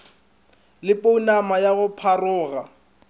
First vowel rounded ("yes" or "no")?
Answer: no